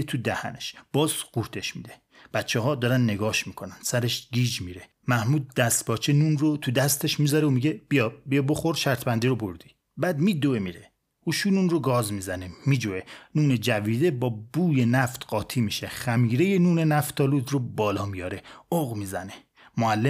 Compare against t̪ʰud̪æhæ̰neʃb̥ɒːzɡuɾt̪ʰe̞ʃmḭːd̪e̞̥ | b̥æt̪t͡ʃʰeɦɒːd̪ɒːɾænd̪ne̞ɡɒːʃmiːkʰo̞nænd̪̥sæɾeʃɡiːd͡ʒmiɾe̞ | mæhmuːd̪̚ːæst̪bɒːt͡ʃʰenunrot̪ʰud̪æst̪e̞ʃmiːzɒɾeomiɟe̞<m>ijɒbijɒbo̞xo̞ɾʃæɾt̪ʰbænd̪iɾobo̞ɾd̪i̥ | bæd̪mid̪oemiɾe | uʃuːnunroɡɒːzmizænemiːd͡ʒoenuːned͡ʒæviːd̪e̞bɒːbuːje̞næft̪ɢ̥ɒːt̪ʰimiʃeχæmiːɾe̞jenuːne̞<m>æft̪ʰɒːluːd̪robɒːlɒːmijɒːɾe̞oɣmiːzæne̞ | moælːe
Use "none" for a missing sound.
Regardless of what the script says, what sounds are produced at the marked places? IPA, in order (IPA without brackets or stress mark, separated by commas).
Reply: b, n